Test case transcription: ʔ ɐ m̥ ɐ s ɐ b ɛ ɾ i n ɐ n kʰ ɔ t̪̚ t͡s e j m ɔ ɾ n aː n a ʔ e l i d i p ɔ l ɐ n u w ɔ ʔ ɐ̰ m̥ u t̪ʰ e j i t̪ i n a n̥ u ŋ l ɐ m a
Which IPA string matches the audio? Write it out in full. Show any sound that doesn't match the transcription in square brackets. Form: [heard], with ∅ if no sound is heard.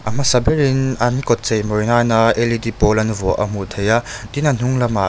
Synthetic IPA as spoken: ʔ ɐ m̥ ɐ s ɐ b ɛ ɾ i n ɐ n [k] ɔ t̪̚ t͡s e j m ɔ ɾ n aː n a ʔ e l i d i p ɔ l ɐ n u [v] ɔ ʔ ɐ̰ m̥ u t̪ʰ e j [a] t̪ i n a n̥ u ŋ l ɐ m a